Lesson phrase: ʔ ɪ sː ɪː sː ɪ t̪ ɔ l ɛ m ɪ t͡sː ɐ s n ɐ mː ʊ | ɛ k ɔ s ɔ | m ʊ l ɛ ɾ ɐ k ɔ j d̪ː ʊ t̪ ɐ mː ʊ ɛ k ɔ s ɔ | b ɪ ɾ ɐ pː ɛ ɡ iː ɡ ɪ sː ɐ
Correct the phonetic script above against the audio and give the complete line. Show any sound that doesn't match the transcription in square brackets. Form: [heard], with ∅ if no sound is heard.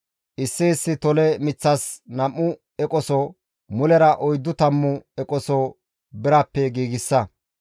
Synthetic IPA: ʔ ɪ sː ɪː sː ɪ t̪ ɔ l ɛ m ɪ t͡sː ɐ s n ɐ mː ʊ | ɛ [kʼ] ɔ s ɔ | m ʊ l ɛ ɾ ɐ [ʔ] ɔ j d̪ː ʊ t̪ ɐ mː ʊ ɛ [kʼ] ɔ s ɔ | b ɪ ɾ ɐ pː ɛ ɡ iː ɡ ɪ sː ɐ

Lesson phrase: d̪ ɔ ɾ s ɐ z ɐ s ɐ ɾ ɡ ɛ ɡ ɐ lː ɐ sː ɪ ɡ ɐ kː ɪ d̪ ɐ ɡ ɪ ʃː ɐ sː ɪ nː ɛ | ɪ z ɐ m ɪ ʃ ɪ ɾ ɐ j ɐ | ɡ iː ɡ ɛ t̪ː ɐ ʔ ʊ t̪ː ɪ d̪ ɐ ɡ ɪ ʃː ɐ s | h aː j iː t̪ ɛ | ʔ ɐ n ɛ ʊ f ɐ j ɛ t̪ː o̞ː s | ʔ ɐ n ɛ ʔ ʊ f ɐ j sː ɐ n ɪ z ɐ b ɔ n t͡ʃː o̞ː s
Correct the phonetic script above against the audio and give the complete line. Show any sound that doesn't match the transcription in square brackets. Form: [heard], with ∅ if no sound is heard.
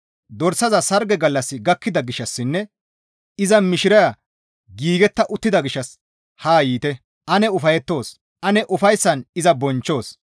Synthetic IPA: d̪ ɔ ɾ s ɐ z ɐ s ɐ ɾ ɡ ɛ ɡ ɐ lː ɐ sː ɪ ɡ ɐ kː ɪ d̪ ɐ ɡ ɪ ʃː ɐ sː ɪ nː ɛ | ɪ z ɐ m ɪ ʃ ɪ ɾ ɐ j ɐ | ɡ iː ɡ ɛ t̪ː ɐ ʔ ʊ t̪ː ɪ d̪ ɐ ɡ ɪ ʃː ɐ s | h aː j iː t̪ ɛ | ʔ ɐ n ɛ ʊ f ɐ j ɛ t̪ː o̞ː s | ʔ ɐ n ɛ ʔ ʊ f ɐ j sː ɐ n ɪ z ɐ b ɔ n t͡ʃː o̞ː s

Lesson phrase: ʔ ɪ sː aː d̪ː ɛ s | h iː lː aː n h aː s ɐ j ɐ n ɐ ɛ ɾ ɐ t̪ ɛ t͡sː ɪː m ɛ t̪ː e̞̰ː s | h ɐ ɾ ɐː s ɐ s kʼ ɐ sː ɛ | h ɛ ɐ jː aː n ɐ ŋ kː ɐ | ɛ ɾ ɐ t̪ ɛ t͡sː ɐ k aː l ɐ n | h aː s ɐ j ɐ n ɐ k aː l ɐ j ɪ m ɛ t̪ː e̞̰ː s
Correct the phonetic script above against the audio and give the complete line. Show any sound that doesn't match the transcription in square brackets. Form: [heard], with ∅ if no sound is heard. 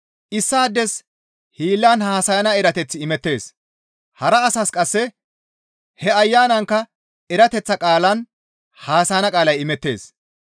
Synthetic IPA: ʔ ɪ sː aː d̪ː ɛ s | h iː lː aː n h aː s ɐ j ɐ n ɐ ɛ ɾ ɐ t̪ ɛ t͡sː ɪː m ɛ t̪ː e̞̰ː s | h ɐ ɾ ɐː s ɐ s kʼ ɐ sː ɛ | h ɛ ɐ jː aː n ɐ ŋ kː ɐ | ɛ ɾ ɐ t̪ ɛ t͡sː ɐ [kʼ] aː l ɐ n | h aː s ɐ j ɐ n ɐ [kʼ] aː l ɐ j ɪ m ɛ t̪ː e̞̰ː s

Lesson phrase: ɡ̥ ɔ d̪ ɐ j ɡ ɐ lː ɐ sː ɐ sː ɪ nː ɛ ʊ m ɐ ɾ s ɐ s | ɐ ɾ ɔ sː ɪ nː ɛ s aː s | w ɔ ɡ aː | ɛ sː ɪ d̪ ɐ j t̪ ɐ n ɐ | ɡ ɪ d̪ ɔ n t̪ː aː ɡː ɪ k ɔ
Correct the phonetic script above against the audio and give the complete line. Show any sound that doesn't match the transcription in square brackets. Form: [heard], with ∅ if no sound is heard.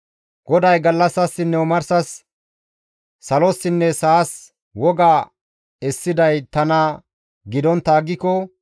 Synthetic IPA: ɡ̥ ɔ d̪ ɐ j ɡ ɐ lː ɐ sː ɐ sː ɪ nː ɛ ʊ m ɐ ɾ s ɐ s | ɐ [l] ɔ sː ɪ nː ɛ s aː s | w ɔ ɡ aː | ɛ sː ɪ d̪ ɐ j t̪ ɐ n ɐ | ɡ ɪ d̪ ɔ n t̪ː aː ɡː ɪ k ɔ

